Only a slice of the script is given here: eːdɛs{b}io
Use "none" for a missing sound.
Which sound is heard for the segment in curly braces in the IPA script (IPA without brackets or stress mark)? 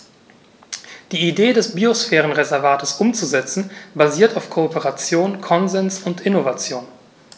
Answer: b